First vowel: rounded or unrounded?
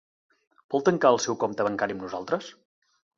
rounded